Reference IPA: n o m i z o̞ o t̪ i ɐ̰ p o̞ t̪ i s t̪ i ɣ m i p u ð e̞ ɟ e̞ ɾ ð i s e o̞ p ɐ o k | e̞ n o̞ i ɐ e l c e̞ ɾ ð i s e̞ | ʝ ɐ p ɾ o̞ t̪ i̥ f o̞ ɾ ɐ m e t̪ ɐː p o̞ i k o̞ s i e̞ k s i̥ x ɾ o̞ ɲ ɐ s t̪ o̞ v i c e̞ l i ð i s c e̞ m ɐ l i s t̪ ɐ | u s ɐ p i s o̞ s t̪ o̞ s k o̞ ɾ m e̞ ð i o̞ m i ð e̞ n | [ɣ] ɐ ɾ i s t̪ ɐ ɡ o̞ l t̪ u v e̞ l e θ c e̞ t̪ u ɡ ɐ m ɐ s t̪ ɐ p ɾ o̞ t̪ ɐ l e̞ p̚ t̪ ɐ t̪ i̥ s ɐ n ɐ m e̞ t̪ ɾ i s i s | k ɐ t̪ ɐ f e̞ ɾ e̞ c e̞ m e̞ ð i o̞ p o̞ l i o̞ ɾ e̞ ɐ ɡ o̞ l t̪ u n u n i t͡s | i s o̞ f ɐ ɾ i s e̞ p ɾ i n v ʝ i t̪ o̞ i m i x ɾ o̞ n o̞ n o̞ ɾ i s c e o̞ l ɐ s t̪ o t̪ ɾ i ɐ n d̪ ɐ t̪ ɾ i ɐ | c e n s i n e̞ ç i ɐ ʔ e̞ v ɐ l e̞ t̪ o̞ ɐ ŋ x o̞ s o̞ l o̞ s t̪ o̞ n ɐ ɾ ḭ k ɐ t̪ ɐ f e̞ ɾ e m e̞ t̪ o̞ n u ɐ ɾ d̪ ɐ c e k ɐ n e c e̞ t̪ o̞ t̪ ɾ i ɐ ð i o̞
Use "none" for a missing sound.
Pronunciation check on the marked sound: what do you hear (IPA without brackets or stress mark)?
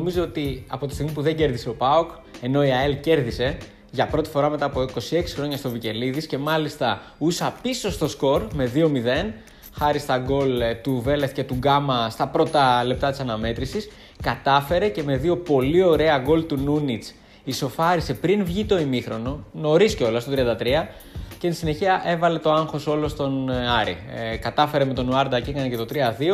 x